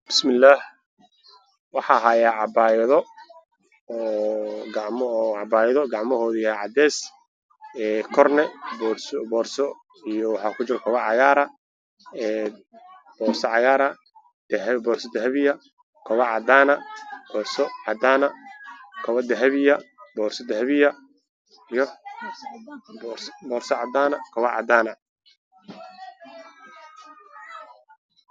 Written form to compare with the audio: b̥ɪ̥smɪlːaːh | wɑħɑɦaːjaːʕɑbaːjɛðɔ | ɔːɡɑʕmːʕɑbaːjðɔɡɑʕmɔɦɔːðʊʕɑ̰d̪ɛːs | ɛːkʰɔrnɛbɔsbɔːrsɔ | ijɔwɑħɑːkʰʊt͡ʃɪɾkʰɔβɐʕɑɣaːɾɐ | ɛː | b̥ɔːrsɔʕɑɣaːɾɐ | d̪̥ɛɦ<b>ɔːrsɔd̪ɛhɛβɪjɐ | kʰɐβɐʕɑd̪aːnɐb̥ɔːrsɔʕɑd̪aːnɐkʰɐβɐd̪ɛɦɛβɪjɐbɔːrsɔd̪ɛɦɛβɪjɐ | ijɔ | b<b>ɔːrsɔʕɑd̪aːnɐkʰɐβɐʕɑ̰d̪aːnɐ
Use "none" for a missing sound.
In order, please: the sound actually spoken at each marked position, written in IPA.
b, b

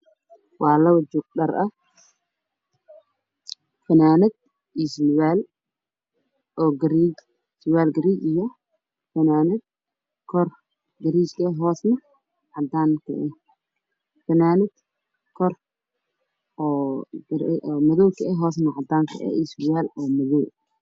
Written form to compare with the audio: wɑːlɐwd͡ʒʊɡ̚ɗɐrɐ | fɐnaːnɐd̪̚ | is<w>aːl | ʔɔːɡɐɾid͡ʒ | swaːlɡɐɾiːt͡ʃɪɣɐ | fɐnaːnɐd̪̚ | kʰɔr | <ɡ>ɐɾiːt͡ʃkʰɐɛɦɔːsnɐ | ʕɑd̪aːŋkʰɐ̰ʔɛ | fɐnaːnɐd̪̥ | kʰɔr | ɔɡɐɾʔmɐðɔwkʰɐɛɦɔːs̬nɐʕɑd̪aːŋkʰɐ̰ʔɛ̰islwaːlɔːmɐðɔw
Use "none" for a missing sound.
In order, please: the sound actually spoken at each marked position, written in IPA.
w, ɡ

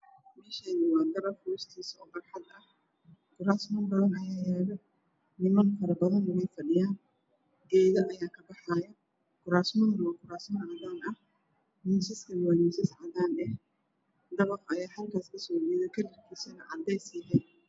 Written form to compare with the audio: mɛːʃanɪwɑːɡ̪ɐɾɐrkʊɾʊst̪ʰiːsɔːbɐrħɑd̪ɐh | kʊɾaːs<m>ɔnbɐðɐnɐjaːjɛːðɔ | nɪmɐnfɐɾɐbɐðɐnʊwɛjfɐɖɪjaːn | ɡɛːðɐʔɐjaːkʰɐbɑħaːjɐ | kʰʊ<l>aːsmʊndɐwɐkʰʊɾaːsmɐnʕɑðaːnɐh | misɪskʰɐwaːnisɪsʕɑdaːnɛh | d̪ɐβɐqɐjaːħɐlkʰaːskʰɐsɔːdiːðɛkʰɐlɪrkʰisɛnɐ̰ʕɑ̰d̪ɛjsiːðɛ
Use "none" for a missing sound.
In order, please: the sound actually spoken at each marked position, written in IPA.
m, ɾ

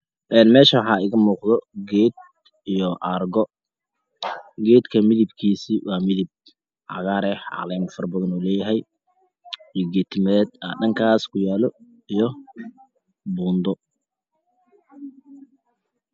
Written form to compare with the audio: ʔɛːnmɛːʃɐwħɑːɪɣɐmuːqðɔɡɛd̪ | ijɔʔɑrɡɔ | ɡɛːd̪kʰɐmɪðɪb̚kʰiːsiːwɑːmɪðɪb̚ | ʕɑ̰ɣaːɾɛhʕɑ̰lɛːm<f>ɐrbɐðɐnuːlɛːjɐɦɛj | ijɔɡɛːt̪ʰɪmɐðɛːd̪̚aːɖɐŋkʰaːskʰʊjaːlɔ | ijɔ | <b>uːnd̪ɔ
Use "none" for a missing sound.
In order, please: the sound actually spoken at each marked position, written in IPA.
f, b

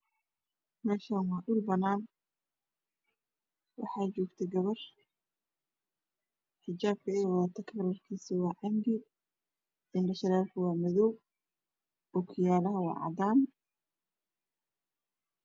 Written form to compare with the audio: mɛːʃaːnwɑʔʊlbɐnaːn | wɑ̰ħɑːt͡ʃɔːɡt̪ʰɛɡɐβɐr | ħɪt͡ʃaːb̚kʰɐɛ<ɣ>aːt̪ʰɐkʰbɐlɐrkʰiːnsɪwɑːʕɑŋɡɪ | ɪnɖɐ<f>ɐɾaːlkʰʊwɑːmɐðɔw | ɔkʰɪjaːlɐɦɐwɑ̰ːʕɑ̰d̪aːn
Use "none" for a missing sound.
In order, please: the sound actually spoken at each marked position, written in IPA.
w, ʃ

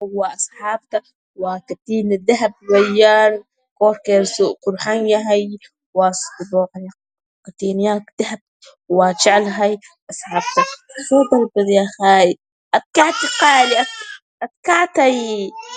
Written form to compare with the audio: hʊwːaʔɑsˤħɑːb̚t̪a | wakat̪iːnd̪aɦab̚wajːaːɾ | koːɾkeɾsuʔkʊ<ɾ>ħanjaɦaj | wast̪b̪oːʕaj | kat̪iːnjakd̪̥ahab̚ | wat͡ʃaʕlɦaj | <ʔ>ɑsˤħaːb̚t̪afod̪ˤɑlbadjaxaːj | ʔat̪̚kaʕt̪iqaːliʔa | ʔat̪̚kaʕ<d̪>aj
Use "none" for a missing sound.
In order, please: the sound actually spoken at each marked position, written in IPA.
ɾ, ʔ, t̪

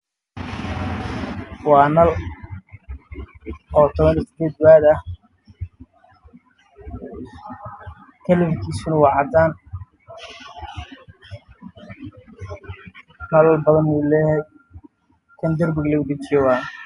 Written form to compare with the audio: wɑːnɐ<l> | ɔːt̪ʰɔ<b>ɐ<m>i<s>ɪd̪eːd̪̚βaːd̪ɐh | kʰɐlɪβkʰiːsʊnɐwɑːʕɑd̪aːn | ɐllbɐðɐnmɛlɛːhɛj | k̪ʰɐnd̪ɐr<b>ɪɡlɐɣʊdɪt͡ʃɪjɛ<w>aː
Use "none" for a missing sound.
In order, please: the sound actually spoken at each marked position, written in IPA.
l, β, n, s, b, w

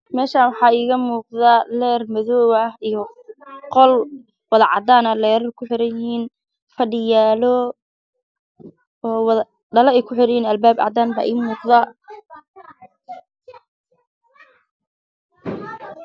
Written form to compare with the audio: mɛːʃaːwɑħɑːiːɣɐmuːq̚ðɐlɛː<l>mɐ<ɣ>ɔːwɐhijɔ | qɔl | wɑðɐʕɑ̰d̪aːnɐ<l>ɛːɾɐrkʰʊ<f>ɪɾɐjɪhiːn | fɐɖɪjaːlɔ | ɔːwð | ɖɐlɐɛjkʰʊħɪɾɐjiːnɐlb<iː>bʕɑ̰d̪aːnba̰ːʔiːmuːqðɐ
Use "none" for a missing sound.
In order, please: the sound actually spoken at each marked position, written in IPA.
r, ð, l, ħ, aː

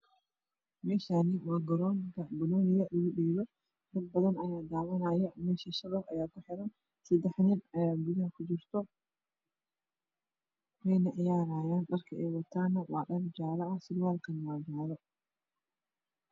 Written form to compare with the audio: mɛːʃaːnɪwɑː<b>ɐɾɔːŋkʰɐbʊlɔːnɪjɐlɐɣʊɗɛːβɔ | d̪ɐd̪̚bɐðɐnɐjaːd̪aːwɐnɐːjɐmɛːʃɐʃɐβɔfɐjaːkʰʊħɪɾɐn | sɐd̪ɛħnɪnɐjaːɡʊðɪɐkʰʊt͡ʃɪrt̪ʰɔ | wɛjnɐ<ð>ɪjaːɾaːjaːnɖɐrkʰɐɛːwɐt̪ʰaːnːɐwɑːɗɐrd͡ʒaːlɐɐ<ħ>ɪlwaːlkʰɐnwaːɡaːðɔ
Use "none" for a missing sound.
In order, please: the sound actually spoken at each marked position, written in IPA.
ɡ, ʕ, s

